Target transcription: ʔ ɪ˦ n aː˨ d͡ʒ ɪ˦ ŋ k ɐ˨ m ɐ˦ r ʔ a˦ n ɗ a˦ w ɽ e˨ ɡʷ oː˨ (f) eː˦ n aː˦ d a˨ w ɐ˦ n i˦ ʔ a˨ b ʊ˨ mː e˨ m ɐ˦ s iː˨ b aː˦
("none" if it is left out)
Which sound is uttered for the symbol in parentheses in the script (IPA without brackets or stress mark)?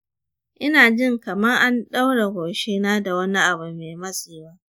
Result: ʃ